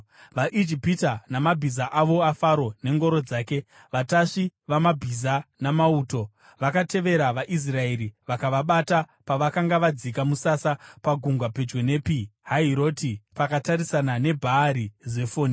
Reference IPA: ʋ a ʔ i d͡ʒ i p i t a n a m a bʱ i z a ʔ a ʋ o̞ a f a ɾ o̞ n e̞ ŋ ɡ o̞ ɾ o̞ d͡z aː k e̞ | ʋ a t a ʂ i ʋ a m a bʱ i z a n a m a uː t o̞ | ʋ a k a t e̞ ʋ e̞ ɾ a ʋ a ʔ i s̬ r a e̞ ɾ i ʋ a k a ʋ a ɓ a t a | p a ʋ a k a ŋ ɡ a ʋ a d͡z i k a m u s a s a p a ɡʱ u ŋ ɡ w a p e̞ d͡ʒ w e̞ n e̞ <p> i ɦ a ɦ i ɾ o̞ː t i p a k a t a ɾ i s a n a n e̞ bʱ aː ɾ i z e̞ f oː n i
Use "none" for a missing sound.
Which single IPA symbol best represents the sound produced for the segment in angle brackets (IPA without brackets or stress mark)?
p